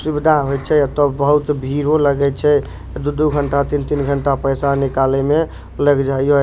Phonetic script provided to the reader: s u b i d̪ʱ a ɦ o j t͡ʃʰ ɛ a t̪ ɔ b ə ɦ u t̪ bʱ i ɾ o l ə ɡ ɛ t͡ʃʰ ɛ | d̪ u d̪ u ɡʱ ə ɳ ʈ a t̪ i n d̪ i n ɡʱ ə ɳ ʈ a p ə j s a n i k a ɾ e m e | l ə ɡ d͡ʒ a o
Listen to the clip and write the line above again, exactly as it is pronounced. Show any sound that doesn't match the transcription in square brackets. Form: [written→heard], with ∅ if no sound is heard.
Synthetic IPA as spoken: s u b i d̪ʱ a ɦ o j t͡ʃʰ ɛ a t̪ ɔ b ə ɦ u t̪ bʱ i ɾ o l ə ɡ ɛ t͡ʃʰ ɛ | d̪ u d̪ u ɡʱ ə ɳ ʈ a t̪ i n [d̪→t̪] i n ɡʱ ə ɳ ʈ a p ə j s a n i k a [ɾ→l] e m e | l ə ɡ d͡ʒ a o